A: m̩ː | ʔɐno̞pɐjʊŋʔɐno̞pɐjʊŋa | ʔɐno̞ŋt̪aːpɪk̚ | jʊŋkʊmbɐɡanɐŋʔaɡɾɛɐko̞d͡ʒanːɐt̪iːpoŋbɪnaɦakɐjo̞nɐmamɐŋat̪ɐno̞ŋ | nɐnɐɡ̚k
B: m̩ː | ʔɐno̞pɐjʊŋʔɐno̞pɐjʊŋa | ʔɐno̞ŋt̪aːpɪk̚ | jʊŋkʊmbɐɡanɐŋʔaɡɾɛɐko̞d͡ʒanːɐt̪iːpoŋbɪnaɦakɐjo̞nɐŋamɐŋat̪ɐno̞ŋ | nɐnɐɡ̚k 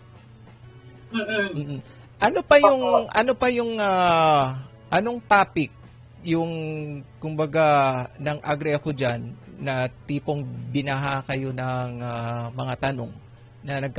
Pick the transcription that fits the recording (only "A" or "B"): B